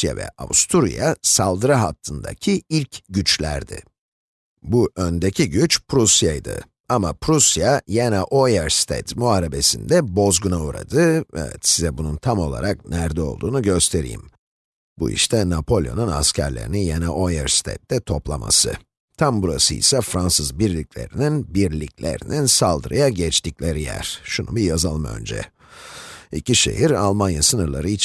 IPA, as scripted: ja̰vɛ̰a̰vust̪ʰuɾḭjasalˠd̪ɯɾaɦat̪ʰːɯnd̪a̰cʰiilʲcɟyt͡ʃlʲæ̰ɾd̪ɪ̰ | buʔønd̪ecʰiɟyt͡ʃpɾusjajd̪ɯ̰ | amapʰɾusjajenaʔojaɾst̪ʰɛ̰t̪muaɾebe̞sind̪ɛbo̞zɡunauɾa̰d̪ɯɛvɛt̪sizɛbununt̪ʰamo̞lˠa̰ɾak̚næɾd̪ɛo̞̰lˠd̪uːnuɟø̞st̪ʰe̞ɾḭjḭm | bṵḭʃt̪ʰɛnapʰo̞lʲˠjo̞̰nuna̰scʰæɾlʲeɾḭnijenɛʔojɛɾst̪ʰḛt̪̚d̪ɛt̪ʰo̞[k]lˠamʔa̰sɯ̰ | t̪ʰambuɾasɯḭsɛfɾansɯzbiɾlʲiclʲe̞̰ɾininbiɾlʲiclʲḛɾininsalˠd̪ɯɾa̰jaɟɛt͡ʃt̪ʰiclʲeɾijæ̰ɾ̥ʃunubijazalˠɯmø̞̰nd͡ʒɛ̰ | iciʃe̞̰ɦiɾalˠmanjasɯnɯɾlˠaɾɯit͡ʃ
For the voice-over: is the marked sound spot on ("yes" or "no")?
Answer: no